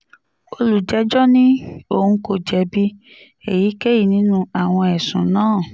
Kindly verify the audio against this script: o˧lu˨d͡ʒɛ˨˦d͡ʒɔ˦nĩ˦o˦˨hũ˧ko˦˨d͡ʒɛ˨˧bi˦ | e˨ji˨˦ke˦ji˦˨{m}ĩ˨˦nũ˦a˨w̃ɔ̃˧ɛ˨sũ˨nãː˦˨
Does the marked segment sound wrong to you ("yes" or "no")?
yes